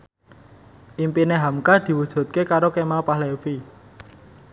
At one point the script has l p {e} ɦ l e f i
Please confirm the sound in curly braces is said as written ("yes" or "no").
no